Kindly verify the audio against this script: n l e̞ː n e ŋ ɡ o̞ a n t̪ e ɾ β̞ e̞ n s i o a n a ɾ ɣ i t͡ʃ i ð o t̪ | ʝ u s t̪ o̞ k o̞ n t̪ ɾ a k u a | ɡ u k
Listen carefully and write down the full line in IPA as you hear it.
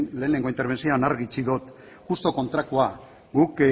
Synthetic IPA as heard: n l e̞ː n e ŋ ɡ o̞ i n t̪ e ɾ β̞ e̞ n s i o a n a ɾ ɣ i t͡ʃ i ð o t̪ | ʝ u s t̪ o̞ k o̞ n t̪ ɾ a k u a | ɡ u k